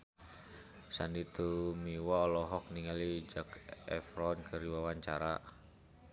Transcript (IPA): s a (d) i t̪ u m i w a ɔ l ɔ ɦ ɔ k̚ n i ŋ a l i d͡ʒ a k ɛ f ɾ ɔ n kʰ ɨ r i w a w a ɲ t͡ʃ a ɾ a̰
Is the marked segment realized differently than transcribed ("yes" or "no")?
yes